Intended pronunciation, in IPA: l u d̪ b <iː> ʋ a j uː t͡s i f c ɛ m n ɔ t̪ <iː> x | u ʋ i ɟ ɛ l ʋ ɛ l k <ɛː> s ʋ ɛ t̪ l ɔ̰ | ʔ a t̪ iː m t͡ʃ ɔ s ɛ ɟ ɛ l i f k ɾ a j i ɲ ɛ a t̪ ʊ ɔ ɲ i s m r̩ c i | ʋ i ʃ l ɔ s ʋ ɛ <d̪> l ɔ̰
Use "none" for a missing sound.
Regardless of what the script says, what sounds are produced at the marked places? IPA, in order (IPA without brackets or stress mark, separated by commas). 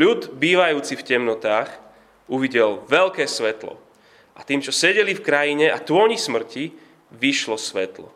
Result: iː, aː, ɛː, t̪